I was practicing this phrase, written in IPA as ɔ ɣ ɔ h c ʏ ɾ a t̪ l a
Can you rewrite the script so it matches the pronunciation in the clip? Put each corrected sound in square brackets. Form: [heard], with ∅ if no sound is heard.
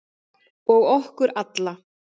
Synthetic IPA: ɔ ɣ ɔ h [k] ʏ ɾ a t̪ l a